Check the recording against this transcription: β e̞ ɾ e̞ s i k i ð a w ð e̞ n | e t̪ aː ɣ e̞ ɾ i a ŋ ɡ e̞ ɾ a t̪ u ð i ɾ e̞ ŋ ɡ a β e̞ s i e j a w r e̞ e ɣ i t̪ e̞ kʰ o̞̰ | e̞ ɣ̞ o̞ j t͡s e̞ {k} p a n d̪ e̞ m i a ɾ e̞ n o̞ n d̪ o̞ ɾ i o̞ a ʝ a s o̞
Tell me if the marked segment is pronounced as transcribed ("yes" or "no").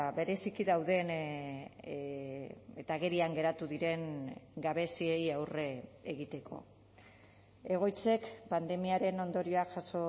yes